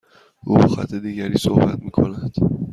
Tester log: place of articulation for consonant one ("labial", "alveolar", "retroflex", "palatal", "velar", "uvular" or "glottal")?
glottal